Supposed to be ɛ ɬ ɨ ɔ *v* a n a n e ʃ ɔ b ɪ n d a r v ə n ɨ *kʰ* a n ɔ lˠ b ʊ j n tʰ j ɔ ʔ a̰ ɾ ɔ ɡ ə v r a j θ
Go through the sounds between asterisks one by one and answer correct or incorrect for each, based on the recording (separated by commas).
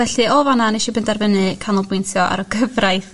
correct, correct